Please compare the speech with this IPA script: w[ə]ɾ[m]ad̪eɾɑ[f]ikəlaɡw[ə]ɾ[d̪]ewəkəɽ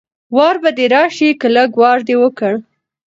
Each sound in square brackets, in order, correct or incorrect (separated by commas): incorrect, incorrect, incorrect, incorrect, correct